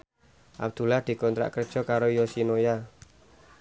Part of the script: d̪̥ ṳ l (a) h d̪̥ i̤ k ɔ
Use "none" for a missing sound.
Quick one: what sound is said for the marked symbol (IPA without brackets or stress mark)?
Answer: a